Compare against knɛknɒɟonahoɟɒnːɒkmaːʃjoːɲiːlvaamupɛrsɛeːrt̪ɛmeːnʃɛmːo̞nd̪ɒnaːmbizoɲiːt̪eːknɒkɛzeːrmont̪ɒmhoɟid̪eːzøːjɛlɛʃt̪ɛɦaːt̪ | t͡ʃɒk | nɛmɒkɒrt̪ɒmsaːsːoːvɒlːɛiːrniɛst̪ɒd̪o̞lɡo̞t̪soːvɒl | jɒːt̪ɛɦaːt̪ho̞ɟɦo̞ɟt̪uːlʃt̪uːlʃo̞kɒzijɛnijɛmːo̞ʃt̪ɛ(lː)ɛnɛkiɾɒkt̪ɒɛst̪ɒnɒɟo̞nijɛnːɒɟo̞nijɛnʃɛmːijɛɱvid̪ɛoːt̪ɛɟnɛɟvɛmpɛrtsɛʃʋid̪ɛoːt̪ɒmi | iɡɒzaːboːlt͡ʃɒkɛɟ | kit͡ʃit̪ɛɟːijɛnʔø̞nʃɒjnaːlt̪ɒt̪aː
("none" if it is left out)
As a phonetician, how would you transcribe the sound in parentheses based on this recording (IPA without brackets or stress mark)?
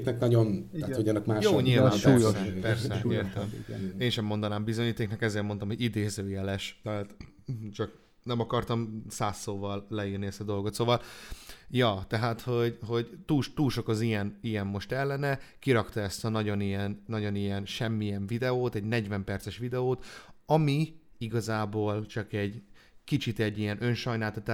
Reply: lː